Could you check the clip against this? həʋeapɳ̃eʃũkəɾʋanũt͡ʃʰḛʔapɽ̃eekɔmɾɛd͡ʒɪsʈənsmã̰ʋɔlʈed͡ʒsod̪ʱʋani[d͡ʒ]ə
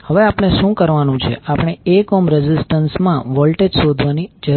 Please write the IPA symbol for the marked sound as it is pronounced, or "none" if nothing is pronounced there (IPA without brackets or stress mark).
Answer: d͡ʒ